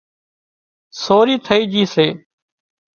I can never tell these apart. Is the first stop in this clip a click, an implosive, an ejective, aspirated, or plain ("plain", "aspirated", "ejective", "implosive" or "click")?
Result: aspirated